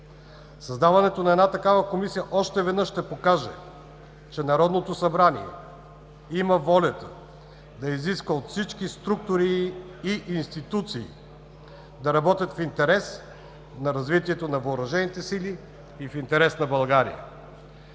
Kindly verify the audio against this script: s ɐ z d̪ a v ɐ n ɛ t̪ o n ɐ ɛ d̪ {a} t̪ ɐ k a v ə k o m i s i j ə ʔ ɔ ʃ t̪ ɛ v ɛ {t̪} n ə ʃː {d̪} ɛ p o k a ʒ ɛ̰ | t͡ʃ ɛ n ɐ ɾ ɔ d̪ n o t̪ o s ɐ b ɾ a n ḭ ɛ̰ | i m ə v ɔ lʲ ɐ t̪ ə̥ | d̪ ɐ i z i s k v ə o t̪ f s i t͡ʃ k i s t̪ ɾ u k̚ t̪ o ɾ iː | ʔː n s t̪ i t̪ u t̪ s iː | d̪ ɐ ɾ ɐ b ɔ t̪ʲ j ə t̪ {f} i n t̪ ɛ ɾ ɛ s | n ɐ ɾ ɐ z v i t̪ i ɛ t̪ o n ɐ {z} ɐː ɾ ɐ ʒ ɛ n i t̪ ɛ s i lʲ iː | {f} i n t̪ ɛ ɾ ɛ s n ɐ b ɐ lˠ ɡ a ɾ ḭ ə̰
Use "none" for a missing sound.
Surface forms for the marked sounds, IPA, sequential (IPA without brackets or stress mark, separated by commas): a, d̪, t̪, f, v, f